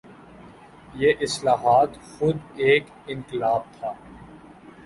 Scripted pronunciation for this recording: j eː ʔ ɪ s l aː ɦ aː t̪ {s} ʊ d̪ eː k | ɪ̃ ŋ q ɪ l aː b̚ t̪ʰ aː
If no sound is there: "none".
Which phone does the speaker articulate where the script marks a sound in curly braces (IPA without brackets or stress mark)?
x